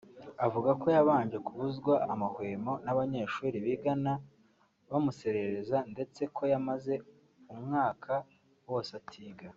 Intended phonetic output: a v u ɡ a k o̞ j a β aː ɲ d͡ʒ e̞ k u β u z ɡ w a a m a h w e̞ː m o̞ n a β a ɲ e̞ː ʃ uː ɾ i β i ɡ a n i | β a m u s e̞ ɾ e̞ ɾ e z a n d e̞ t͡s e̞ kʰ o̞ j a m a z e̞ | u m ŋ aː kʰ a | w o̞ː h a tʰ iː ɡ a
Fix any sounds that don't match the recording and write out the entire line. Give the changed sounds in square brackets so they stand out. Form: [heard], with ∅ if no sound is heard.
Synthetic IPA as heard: a v u ɡ a k o̞ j a β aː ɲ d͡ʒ e̞ k u β u z ɡ w a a m a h w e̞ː m o̞ n a β a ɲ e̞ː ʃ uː ɾ i β i ɡ a n [a] | β a m u s e̞ ɾ e̞ ɾ e z a n d e̞ t͡s e̞ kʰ o̞ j a m a z e̞ | u m ŋ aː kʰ a | w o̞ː [s] a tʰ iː ɡ a